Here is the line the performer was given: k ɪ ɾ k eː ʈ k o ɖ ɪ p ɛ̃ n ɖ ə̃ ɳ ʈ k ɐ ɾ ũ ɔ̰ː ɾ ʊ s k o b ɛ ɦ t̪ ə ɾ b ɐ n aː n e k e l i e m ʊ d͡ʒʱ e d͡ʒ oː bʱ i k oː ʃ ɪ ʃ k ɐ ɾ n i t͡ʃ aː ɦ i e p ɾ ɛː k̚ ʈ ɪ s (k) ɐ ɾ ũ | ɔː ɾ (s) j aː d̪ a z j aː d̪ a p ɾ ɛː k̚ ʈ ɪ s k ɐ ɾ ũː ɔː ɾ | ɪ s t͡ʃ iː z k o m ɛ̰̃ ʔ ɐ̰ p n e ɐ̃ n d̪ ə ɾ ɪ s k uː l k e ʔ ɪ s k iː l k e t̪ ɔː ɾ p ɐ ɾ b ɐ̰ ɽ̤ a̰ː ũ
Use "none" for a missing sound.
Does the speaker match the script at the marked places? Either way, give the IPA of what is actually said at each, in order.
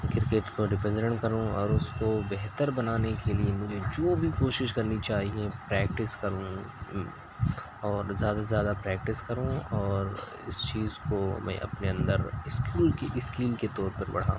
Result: k, z

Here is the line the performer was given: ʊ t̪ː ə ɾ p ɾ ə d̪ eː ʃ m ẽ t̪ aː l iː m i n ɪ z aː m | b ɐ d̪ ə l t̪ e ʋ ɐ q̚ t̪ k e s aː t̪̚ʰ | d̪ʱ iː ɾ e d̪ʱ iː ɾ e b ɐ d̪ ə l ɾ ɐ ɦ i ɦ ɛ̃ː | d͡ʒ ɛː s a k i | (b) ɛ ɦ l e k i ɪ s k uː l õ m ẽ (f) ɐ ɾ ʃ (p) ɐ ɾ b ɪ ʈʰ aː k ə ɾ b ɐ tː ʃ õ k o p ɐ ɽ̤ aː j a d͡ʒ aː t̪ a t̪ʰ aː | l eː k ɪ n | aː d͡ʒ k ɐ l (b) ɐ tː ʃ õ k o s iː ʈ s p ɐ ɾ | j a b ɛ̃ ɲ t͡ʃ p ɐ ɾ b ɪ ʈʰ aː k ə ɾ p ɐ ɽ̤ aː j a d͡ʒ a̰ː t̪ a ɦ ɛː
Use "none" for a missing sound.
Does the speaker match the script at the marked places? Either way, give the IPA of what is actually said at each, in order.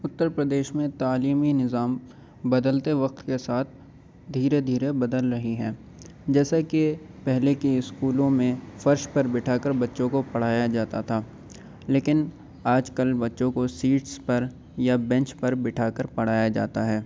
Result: p, f, p, b

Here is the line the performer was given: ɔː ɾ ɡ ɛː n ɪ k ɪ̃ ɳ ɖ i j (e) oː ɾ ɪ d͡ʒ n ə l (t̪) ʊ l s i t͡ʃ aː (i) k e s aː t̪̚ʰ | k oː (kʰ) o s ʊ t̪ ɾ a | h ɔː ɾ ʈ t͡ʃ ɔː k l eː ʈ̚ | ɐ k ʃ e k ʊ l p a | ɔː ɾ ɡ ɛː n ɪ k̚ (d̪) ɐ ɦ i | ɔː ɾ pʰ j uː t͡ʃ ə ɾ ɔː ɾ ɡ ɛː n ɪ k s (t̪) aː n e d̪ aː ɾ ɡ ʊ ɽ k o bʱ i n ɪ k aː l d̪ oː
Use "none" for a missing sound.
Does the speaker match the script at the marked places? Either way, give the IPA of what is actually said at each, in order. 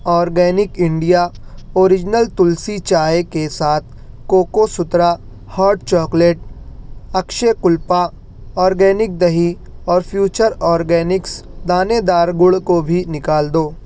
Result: a, t̪, e, k, d̪, d̪

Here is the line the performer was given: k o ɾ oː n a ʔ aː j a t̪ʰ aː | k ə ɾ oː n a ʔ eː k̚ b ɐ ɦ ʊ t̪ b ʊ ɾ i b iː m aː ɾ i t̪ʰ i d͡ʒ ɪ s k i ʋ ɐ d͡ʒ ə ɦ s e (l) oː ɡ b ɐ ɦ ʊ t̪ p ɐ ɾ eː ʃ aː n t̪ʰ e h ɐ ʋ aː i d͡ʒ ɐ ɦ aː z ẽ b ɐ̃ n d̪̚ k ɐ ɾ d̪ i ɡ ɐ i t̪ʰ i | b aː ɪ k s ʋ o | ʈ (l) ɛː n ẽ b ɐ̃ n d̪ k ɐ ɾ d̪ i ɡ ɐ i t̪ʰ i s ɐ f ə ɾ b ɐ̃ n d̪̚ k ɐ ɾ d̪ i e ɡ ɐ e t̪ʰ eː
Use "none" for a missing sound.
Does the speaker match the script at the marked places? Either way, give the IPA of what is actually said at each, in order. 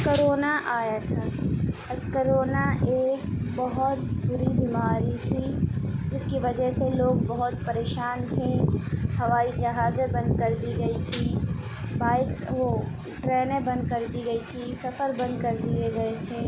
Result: l, ɾ

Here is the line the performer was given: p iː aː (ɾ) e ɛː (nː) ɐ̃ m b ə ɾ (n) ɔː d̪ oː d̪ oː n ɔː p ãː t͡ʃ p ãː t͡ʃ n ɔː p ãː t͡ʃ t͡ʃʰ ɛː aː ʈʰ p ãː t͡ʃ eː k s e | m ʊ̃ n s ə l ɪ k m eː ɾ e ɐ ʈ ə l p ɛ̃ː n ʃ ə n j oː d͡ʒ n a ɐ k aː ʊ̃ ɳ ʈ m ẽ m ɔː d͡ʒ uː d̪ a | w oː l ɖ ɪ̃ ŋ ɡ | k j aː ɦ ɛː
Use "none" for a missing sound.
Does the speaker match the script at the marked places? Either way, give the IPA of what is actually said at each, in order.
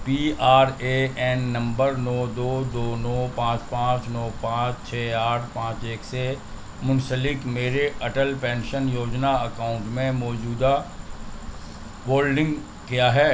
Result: ɾ, nː, n

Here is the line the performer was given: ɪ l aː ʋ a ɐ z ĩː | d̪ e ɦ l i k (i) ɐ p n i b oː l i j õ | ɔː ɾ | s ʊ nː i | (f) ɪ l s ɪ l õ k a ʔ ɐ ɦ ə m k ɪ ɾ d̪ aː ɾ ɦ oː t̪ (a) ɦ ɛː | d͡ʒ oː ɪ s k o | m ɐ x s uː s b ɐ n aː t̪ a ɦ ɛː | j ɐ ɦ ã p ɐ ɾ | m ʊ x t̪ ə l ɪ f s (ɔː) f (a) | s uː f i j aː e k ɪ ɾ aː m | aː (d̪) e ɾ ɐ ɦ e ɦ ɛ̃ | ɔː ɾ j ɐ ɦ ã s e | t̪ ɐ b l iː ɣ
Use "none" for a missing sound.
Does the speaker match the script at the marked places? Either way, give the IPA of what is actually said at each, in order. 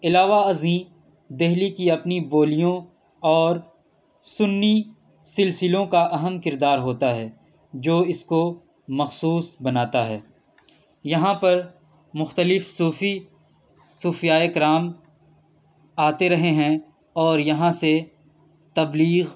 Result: i, s, a, uː, i, t̪

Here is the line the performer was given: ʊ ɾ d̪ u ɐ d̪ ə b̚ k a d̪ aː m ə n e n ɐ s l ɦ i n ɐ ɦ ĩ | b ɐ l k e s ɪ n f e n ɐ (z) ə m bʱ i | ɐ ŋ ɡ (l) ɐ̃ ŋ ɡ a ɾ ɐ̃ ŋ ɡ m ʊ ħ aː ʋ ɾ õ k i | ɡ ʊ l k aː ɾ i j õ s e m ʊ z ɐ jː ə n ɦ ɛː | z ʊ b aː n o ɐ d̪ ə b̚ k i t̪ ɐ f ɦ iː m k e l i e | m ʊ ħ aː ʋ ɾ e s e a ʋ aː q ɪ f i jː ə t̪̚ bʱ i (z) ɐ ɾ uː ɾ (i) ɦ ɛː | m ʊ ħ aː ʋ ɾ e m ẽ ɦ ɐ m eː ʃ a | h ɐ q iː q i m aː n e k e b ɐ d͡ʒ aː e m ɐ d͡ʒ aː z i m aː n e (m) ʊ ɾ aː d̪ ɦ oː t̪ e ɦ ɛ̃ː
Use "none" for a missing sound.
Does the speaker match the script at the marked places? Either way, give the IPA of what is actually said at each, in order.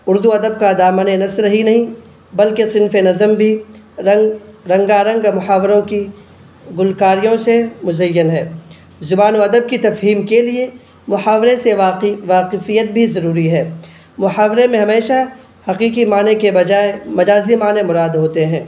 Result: z, ɾ, z, i, m

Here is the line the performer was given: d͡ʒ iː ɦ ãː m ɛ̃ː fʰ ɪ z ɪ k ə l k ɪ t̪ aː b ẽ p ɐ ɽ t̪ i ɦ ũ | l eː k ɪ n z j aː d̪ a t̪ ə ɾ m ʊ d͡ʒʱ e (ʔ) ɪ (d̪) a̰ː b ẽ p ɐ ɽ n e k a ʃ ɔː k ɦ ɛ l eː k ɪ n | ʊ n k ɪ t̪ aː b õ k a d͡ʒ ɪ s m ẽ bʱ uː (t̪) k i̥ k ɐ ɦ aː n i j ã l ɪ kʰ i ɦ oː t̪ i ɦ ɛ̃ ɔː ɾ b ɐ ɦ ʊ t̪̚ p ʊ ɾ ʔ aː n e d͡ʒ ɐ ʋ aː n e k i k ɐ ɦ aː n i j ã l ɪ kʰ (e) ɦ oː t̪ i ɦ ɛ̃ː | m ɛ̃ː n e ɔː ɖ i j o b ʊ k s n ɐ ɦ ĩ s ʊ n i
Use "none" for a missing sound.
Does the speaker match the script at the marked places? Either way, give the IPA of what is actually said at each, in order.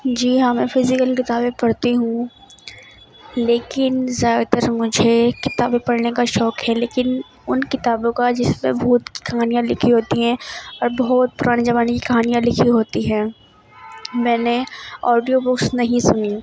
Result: k, t̪, t̪, i

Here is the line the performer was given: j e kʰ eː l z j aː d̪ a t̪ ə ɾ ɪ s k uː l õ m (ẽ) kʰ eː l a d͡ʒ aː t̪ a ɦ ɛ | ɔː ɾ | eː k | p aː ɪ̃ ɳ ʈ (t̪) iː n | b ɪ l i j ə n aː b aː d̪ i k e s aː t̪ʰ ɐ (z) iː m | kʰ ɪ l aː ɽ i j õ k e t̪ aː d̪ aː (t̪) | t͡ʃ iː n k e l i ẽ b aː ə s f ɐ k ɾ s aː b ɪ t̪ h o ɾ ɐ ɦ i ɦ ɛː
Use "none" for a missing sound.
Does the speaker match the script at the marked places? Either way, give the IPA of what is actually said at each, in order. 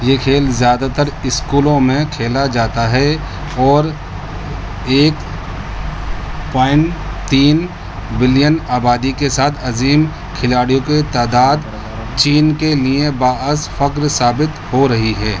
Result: ẽ, t̪, z, d̪

